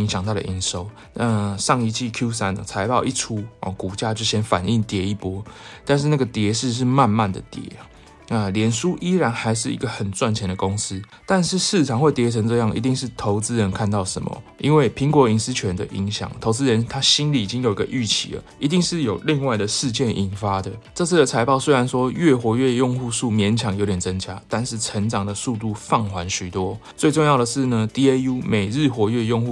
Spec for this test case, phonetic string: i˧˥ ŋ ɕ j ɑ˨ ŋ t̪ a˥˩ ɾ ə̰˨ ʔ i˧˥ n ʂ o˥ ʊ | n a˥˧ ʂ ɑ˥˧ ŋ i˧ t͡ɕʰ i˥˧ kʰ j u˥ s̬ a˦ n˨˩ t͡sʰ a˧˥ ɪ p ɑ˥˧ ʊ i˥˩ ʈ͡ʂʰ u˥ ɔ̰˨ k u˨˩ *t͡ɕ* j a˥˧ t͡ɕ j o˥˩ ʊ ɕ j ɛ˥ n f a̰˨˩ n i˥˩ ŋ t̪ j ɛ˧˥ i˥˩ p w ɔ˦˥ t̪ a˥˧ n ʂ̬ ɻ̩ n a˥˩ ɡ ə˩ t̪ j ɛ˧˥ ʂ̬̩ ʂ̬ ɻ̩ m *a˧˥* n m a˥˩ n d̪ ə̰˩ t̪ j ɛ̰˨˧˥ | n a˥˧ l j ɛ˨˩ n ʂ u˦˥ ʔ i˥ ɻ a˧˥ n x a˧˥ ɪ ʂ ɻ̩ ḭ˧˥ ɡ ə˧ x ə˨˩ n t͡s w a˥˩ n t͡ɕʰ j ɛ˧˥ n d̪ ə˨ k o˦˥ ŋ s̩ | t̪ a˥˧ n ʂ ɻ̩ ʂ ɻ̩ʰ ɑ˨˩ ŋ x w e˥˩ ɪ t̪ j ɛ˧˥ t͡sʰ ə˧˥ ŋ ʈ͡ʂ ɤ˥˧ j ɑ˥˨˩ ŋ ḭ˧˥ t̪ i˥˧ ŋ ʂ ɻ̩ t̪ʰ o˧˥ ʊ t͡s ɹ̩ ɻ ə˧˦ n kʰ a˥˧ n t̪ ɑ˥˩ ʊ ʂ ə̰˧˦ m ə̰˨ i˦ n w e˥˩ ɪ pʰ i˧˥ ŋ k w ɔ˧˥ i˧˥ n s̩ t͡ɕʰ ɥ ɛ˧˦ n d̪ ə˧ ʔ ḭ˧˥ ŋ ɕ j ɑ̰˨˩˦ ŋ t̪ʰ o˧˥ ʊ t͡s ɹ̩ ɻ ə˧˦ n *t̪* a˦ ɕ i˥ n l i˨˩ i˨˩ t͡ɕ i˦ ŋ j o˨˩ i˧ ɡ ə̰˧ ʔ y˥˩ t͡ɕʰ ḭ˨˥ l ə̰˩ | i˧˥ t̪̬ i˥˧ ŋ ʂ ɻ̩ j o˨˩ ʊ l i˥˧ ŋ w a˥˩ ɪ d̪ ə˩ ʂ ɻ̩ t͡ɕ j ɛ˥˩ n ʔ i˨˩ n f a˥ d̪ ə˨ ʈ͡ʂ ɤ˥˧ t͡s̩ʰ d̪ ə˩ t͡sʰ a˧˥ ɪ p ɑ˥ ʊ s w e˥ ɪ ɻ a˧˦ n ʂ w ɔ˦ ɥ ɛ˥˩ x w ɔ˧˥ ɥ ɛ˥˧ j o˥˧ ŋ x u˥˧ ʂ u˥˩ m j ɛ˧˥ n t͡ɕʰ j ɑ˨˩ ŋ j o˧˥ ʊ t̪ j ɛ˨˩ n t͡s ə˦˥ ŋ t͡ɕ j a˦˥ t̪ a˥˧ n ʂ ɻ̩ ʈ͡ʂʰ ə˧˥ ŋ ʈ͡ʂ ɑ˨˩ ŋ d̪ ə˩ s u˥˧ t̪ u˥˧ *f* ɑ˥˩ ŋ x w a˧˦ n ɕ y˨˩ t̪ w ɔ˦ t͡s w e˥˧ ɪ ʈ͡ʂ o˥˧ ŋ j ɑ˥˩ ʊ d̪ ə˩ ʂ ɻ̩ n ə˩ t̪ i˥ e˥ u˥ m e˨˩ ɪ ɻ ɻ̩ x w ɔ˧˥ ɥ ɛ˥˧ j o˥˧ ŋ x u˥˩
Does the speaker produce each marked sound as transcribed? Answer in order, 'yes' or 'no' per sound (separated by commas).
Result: yes, no, no, yes